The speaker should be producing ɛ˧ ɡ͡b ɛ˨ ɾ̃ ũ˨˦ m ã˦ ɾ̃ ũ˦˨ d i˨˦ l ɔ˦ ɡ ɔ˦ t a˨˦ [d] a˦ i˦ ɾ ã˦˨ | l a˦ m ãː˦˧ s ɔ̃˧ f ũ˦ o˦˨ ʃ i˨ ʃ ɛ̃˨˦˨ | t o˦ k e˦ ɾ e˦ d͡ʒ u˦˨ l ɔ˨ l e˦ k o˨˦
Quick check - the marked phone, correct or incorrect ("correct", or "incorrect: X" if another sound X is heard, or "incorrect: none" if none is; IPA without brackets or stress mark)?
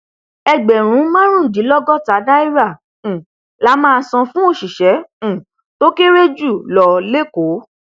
correct